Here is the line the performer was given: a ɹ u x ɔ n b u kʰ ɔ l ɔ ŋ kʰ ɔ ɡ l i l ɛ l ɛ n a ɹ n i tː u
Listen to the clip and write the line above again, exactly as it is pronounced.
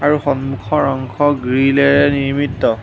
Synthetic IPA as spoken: a ɹ u x ɔ n m u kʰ ɔ ɹ ɔ ŋ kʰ ɔ ɡ ɹ i l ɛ ɹ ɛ n i ɹ m i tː ɔ